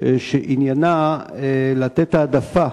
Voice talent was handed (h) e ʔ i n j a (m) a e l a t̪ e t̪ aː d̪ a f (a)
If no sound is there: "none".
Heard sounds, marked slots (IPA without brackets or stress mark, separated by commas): ʃ, n, a